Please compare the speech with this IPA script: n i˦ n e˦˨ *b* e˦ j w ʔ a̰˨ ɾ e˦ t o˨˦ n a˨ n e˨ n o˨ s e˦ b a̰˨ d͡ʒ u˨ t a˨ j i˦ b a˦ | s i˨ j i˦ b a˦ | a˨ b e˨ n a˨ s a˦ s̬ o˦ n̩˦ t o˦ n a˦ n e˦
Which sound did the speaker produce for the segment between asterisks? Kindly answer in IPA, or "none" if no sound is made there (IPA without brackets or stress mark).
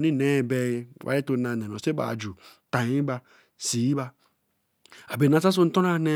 b